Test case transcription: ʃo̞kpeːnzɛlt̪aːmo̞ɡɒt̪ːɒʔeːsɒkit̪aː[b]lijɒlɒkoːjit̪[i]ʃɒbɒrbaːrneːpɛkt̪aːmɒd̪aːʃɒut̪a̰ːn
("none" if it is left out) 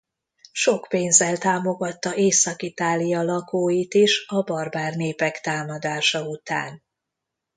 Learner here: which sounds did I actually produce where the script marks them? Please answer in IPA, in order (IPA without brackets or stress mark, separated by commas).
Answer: none, i